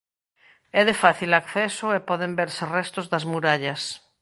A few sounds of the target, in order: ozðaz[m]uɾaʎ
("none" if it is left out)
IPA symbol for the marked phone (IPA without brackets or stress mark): m